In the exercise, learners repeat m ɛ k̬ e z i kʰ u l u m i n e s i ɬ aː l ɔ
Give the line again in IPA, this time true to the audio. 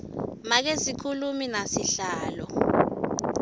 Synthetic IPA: m a k̬ e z i kʰ u l u m i n a s i ɬ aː l ɔ